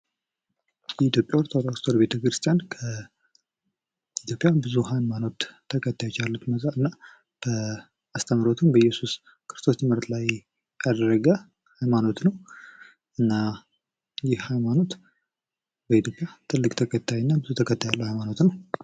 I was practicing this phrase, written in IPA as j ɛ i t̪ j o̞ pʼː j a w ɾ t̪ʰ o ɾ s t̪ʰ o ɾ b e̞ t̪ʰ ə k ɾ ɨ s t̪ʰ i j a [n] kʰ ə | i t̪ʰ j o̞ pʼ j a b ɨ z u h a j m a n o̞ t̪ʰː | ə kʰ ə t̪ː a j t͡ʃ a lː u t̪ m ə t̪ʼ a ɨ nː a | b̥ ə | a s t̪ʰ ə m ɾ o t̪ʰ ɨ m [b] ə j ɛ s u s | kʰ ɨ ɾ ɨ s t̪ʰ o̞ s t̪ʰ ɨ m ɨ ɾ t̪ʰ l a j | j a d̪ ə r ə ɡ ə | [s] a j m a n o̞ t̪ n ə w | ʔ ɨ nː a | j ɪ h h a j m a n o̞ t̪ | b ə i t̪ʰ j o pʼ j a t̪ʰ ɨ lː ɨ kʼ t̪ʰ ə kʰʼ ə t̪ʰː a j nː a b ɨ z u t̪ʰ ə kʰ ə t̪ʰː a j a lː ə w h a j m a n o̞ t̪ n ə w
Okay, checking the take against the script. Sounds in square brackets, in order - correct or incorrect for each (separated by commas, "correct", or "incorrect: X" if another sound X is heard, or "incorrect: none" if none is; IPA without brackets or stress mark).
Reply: correct, correct, incorrect: h